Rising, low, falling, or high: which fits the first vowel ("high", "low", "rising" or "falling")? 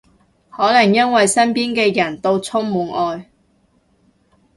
rising